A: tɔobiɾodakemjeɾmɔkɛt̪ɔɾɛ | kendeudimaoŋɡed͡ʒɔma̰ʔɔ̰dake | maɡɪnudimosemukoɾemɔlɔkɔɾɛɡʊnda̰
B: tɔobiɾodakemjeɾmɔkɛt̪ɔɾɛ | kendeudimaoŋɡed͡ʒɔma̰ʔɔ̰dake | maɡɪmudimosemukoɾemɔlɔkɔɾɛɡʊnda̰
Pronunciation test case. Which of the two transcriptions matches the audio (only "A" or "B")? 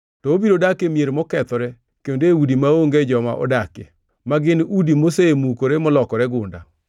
A